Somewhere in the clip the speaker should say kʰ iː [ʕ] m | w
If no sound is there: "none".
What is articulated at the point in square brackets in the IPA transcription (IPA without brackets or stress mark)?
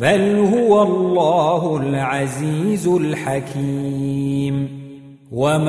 none